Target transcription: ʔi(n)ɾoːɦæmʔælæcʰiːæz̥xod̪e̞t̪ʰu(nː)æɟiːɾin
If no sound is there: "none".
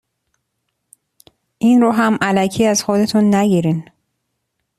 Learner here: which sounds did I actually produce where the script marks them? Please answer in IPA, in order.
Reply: n, nː

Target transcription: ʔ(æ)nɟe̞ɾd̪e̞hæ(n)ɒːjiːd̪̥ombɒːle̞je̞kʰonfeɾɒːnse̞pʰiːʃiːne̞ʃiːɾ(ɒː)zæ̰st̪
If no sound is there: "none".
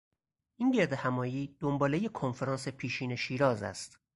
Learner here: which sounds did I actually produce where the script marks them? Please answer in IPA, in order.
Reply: i, m, ɒː

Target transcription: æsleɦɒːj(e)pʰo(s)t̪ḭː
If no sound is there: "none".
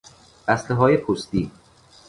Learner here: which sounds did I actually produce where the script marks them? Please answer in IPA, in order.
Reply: e, s

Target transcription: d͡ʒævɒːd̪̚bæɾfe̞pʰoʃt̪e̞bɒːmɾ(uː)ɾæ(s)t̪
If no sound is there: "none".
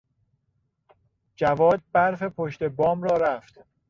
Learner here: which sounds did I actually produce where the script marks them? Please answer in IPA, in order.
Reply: ɒː, f

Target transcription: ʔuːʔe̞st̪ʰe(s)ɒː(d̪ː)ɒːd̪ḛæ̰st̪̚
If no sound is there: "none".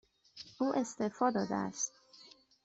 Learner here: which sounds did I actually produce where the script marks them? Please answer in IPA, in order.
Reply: f, d̪

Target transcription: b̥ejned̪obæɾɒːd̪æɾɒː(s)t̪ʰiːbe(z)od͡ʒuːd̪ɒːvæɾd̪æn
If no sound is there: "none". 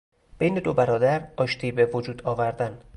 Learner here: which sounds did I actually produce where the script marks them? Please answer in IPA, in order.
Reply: ʃ, v

